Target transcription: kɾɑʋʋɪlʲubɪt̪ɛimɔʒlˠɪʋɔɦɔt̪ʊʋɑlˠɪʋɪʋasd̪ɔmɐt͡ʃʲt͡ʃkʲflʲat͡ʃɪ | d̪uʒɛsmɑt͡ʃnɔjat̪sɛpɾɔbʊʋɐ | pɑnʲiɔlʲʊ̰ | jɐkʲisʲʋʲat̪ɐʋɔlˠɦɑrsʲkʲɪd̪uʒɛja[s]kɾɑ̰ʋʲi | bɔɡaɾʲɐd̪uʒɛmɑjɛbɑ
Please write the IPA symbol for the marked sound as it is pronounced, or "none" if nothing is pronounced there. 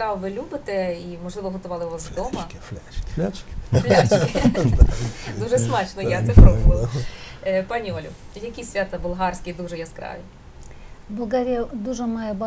s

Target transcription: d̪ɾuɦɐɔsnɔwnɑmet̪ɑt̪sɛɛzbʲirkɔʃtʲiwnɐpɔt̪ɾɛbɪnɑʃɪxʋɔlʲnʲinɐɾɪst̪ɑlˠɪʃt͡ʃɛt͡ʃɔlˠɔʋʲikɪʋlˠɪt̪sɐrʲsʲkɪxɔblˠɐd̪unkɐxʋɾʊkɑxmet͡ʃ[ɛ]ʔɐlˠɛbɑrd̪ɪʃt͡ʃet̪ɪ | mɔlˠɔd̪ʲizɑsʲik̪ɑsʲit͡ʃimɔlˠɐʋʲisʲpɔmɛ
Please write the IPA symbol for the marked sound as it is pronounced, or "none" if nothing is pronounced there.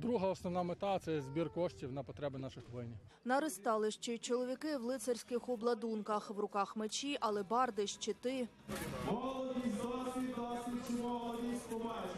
i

